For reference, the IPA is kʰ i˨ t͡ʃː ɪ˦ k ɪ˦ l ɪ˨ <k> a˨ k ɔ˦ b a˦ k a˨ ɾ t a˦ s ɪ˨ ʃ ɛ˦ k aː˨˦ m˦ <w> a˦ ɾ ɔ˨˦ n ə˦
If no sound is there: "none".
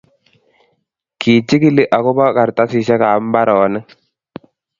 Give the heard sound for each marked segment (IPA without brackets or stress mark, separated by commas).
ʔ, b